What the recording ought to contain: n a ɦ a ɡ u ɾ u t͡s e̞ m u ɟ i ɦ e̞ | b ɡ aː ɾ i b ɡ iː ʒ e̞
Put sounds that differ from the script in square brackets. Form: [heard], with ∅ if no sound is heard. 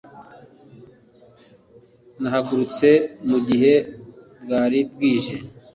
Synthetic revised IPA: n a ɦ a ɡ u ɾ u t͡s e̞ m u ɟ i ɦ e̞ | b ɡ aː ɾ i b ɡ iː ʒ e̞